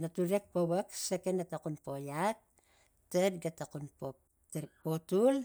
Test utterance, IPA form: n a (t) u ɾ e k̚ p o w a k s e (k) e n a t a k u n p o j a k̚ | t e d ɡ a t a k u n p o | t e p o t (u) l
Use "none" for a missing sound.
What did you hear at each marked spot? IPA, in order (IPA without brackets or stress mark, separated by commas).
t, k, u